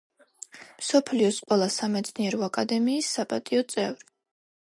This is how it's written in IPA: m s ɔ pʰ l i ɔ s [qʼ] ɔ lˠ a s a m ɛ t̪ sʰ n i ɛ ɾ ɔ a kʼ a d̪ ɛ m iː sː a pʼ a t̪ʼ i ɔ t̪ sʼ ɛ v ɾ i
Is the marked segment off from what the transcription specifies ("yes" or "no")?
no